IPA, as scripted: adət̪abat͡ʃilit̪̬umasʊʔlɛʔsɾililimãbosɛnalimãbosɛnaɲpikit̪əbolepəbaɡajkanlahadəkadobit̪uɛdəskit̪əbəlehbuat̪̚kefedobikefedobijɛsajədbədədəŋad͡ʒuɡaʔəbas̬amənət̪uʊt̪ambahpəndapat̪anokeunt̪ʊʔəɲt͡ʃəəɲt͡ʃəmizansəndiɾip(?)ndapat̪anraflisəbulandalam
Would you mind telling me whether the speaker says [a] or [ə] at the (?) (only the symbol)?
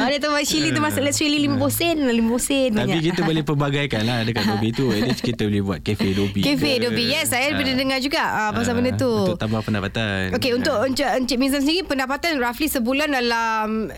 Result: ə